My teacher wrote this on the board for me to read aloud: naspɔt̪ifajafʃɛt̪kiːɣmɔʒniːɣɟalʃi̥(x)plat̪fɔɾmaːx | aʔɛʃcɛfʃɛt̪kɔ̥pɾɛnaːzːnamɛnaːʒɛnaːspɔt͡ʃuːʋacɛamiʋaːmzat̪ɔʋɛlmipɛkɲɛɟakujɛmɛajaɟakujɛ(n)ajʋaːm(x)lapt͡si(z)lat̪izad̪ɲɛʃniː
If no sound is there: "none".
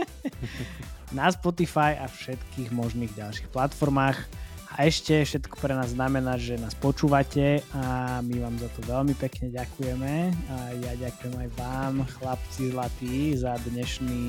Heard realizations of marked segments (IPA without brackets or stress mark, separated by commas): x, m, x, z